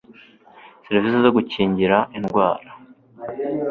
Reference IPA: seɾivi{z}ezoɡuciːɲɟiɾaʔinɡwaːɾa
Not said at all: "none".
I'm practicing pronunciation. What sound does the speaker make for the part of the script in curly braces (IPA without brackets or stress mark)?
s